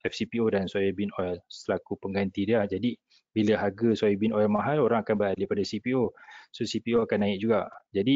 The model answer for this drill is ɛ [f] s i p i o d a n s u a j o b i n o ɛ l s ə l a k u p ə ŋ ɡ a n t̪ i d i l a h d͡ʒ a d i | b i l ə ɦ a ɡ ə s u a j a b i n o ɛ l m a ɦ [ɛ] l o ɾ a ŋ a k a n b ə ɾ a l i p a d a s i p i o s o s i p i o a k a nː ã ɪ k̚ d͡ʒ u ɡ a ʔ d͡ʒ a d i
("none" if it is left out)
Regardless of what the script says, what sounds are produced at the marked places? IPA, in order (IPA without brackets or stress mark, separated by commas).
f, a